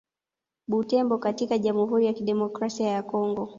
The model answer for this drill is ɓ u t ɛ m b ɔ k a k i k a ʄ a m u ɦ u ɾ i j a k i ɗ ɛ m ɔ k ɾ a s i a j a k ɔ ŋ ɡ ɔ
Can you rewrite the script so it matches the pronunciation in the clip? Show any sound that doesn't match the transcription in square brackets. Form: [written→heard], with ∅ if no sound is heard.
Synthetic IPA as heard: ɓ u t ɛ m b ɔ k a [k→t] i k a ʄ a m u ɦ u ɾ i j a k i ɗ ɛ m ɔ k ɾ a s i a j a k ɔ ŋ ɡ ɔ